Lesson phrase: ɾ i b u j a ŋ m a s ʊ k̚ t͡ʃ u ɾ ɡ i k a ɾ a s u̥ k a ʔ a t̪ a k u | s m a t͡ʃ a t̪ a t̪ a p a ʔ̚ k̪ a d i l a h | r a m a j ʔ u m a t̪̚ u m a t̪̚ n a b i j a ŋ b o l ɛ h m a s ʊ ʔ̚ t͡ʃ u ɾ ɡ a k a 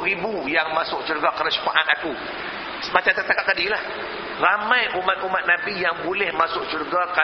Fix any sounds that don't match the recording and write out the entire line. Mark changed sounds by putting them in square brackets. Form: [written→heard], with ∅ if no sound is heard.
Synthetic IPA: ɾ i b u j a ŋ m a s ʊ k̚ t͡ʃ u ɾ ɡ [i→a] k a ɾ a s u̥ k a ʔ a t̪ a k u | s m a t͡ʃ a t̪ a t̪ a [p→k] a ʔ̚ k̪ a d i l a h | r a m a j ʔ u m a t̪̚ u m a t̪̚ n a b i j a ŋ b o l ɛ h m a s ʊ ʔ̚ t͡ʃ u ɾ ɡ a k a